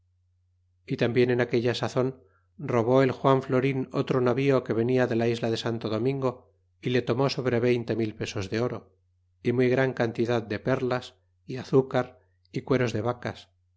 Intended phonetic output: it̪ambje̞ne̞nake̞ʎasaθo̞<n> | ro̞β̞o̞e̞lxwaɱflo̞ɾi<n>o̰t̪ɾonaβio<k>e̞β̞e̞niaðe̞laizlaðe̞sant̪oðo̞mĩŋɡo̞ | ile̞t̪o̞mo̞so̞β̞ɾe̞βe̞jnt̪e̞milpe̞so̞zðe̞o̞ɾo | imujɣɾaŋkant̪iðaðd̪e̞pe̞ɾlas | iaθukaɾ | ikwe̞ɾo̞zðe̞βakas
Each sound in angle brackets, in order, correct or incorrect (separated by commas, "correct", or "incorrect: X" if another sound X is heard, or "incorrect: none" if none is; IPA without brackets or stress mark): correct, correct, correct